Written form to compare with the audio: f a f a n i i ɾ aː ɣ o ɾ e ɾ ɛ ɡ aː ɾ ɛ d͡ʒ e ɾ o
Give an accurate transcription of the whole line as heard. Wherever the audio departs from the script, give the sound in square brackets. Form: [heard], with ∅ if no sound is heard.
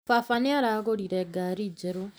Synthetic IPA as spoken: f a f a n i [a] ɾ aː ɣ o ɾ [i] ɾ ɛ ɡ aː ɾ [i] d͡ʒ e ɾ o